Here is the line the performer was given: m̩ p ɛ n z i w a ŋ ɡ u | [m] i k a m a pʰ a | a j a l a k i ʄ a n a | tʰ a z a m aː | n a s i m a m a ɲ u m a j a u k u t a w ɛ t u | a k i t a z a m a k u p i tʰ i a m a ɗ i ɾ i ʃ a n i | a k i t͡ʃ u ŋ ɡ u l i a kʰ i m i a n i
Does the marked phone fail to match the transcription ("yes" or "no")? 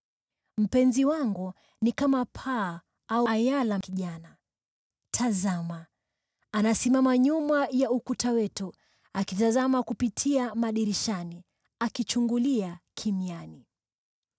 yes